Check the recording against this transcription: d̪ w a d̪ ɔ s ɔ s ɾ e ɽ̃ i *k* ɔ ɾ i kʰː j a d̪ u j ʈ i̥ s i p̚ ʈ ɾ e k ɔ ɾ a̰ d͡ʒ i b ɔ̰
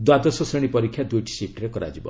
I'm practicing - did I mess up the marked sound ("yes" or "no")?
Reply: yes